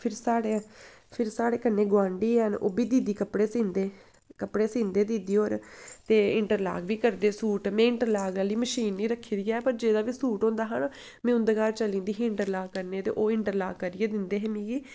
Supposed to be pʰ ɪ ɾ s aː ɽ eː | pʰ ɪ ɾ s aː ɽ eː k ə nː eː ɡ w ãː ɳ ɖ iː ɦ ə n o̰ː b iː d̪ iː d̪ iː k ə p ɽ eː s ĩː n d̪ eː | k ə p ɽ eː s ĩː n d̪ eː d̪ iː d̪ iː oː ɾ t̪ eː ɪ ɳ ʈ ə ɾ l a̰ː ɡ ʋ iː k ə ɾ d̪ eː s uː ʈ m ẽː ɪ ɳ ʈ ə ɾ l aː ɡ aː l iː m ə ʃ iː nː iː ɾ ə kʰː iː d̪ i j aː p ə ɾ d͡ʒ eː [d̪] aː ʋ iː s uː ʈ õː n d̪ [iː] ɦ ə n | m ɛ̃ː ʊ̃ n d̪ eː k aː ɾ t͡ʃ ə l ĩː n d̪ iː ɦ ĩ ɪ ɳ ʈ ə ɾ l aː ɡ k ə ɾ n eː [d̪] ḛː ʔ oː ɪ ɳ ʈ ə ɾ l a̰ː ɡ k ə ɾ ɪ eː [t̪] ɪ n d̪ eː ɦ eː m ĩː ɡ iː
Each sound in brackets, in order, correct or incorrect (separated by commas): correct, incorrect, incorrect, incorrect